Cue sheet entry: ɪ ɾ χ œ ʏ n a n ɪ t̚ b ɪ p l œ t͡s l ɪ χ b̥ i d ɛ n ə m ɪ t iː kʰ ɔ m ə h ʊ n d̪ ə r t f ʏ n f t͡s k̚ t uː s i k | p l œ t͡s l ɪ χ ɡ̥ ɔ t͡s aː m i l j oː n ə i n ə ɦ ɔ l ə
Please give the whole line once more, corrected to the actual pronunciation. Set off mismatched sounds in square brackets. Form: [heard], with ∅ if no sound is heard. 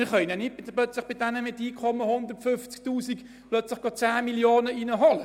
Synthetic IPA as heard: ɪ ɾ χ œ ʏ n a n ɪ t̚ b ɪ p l œ t͡s l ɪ χ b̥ [ɪ] d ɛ n ə m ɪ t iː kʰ ɔ m ə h ʊ n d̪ ə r t f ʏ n f t͡s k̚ t uː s i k | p l œ t͡s l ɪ χ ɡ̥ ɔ t͡s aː m i l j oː n ə i n ə ɦ ɔ l ə